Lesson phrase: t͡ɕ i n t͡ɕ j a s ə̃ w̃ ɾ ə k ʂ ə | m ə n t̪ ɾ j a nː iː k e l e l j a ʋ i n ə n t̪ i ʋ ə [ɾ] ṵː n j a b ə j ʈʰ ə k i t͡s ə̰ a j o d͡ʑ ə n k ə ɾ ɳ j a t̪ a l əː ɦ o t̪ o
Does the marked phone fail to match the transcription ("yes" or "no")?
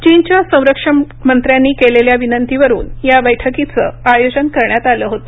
no